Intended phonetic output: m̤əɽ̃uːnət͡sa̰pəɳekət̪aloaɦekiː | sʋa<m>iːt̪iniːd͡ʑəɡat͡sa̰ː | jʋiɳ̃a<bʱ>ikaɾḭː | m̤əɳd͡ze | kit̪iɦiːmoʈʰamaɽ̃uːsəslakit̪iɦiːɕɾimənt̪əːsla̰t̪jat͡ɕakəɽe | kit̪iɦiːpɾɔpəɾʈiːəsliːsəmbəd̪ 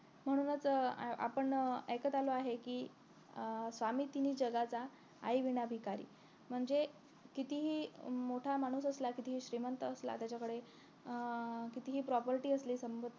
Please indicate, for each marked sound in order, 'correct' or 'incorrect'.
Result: correct, correct

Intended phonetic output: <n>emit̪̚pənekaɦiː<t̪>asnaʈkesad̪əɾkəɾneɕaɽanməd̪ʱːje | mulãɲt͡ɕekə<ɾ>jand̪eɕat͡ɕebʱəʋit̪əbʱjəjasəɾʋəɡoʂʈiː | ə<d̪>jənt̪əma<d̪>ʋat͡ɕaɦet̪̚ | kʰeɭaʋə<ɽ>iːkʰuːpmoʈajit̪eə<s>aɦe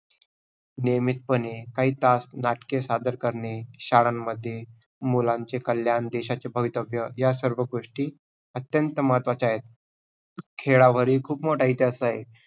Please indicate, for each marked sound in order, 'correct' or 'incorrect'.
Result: correct, correct, incorrect, incorrect, incorrect, incorrect, correct

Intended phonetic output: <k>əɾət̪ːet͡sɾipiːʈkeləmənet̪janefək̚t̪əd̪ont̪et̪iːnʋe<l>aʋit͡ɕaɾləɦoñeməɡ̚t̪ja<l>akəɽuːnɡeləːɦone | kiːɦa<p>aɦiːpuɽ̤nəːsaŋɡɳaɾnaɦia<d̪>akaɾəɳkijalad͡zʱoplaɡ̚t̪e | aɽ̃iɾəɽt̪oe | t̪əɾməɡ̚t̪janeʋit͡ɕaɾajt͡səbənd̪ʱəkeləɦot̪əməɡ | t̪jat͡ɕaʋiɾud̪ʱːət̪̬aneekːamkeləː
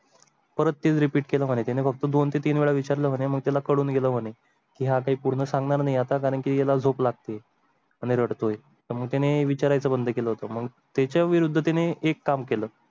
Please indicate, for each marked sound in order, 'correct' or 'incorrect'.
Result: incorrect, incorrect, correct, incorrect, incorrect

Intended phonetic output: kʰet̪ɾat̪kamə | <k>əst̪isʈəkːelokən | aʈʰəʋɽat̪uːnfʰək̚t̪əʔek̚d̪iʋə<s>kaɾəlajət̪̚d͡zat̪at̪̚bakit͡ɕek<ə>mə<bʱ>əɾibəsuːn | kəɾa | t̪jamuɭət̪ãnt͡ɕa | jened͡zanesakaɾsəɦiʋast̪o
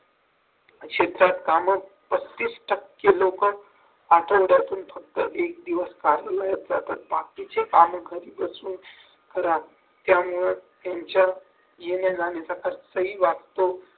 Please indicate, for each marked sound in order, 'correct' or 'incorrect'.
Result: incorrect, correct, incorrect, incorrect

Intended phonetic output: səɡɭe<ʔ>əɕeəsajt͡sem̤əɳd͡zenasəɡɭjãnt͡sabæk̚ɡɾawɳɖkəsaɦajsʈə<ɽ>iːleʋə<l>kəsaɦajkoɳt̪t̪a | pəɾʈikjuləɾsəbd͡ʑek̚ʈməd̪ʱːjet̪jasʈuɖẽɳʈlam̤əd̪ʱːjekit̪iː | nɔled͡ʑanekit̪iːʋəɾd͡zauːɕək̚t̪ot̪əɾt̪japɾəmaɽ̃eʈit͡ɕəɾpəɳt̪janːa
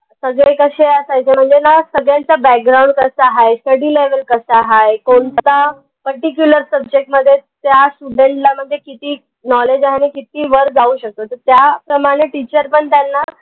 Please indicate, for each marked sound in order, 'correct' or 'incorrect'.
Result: incorrect, correct, correct

